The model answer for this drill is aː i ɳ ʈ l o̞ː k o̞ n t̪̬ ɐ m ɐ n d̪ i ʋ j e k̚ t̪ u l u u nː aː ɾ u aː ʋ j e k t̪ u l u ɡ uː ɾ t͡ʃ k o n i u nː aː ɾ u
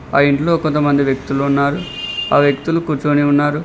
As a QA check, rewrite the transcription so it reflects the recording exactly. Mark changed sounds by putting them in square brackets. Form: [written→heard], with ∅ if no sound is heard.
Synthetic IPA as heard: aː i ɳ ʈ l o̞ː k o̞ n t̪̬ ɐ m ɐ n d̪ i ʋ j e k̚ t̪ u l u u nː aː ɾ u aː ʋ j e k t̪ u l u [ɡ→k] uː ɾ t͡ʃ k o n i u nː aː ɾ u